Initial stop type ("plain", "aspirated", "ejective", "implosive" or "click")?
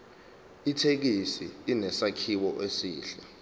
aspirated